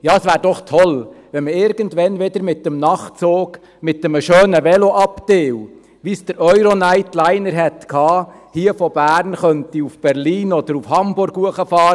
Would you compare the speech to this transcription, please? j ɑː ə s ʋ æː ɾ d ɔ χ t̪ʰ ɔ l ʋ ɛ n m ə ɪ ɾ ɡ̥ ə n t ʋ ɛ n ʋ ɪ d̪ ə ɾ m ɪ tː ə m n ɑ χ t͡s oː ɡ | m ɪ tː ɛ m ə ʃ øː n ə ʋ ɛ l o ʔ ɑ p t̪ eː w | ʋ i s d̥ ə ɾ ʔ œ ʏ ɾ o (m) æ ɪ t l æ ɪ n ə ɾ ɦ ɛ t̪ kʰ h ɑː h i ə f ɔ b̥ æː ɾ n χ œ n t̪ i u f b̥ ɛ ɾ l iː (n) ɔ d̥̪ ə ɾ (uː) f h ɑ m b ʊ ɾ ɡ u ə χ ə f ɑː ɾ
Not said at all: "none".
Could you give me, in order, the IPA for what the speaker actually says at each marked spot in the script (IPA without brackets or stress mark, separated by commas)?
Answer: n, n, u